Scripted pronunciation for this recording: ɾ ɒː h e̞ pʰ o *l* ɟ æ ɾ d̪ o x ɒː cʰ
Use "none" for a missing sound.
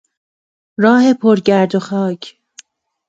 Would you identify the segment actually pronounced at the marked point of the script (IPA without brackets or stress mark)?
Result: ɾ